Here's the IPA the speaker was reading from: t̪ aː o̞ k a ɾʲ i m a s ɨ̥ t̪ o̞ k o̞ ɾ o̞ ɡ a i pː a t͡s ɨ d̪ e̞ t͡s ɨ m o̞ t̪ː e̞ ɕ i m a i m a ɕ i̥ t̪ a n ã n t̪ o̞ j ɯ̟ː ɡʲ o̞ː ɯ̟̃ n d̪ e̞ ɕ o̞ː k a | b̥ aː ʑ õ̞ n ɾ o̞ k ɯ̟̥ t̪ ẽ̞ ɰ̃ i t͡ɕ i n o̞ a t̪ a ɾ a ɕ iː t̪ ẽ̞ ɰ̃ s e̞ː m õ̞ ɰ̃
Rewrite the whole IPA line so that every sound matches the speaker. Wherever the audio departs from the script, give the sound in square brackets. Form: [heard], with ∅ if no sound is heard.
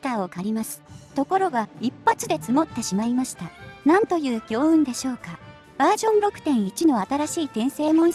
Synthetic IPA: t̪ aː o̞ k a ɾʲ i m a s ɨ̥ t̪ o̞ k o̞ ɾ o̞ ɡ a i pː a t͡s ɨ d̪ e̞ t͡s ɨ m o̞ t̪ː e̞ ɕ i m a i m a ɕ i̥ t̪ a n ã n t̪ o̞ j ɯ̟ː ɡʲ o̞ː ɯ̟̃ n d̪ e̞ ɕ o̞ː k a | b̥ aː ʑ õ̞ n ɾ o̞ k ɯ̟̥ t̪ ẽ̞ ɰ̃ i t͡ɕ i n o̞ a t̪ a ɾ a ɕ iː t̪ ẽ̞ ɰ̃ s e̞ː m õ̞ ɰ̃